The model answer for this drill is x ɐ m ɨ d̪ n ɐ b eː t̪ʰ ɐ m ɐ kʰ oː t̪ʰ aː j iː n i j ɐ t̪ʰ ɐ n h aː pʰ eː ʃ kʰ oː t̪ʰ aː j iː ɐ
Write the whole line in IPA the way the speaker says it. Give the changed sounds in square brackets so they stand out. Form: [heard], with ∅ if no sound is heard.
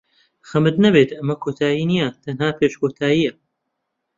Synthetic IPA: x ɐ m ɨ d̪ n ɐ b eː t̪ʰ ɐ m ɐ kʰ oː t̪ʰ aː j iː n i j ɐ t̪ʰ ɐ n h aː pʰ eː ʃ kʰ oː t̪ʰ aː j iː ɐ